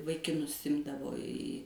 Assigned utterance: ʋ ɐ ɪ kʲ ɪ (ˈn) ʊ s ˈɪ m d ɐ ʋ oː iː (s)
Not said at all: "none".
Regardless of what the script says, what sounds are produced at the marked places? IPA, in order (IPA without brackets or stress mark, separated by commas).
n, none